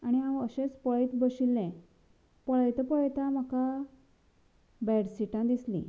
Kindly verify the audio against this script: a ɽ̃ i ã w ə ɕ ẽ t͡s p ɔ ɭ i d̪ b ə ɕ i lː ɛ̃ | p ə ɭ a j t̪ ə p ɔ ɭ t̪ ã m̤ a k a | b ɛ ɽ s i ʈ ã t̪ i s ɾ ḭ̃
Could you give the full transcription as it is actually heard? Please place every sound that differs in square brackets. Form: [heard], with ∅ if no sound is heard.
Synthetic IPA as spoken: a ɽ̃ i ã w ə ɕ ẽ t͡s p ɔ ɭ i [t̪] b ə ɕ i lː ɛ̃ | p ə ɭ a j t̪ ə p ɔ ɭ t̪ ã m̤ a k a | b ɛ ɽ s i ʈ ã [d̪] i s [l] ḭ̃